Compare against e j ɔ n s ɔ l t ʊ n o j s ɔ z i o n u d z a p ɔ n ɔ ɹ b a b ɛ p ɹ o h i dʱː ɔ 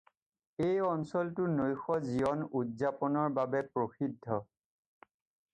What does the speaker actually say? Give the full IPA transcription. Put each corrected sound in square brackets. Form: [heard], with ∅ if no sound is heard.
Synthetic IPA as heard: e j ɔ n s ɔ l t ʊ n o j [x] ɔ z i [ɔ] n u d z a p ɔ n ɔ ɹ b a b ɛ p ɹ o [x] i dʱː ɔ